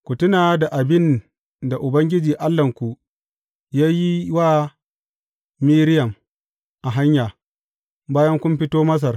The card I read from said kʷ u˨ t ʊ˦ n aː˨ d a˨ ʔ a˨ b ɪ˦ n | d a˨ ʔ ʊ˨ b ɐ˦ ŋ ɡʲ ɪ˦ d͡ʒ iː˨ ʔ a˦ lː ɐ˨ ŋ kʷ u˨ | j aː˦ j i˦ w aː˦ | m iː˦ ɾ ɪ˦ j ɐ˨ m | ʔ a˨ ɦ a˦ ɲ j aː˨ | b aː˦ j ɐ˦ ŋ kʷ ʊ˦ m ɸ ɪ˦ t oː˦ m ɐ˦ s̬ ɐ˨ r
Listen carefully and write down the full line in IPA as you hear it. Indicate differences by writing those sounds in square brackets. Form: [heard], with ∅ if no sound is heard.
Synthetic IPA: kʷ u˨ t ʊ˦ n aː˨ d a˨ ʔ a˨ b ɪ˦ n | d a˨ ʔ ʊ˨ b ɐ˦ ŋ ɡʲ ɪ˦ d͡ʒ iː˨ ʔ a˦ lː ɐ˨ ŋ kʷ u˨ | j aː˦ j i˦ w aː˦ | m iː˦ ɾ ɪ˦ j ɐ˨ m | ʔ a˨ ɦ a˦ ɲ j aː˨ | b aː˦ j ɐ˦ ŋ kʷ ʊ˦ m ɸ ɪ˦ t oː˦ m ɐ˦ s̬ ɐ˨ r